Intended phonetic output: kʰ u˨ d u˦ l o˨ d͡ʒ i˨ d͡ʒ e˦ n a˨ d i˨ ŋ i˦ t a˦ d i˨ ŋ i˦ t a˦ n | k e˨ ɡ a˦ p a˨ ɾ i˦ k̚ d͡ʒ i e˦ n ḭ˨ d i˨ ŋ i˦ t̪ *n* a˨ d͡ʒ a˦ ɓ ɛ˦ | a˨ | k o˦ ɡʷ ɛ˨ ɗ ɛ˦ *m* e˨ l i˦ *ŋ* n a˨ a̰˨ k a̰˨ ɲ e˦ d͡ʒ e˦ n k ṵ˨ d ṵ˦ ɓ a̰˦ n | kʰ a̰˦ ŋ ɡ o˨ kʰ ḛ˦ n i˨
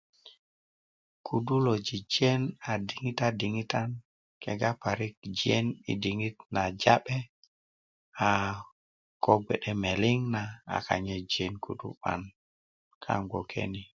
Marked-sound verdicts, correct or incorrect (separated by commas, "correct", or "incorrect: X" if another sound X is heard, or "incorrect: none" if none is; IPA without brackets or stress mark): correct, correct, correct